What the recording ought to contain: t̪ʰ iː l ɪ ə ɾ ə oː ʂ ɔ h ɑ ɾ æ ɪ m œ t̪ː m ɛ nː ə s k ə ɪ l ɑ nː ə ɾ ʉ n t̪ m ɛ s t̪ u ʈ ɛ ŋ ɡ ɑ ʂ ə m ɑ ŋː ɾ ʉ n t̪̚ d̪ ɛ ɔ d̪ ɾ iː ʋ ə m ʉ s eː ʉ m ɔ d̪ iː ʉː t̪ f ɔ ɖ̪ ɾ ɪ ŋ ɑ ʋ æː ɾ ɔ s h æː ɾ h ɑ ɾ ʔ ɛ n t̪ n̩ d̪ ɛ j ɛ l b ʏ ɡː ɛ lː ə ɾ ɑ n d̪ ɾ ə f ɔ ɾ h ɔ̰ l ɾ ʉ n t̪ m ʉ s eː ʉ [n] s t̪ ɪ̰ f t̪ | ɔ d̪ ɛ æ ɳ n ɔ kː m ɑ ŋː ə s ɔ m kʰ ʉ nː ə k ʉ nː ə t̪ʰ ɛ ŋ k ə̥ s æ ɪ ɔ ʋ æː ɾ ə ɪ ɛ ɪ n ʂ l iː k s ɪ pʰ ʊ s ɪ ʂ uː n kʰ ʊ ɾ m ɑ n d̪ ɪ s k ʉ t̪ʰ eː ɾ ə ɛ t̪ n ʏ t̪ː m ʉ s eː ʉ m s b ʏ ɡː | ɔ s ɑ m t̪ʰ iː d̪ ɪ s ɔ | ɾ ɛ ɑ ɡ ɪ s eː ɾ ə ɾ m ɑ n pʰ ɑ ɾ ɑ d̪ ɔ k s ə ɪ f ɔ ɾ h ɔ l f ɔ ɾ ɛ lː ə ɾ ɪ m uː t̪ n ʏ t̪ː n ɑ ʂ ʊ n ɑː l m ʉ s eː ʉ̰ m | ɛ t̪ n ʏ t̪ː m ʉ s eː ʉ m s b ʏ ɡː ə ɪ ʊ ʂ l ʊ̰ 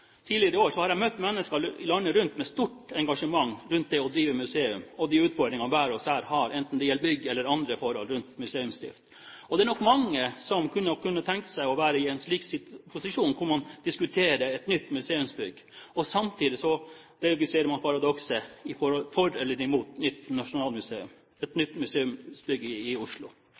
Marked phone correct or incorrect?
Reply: incorrect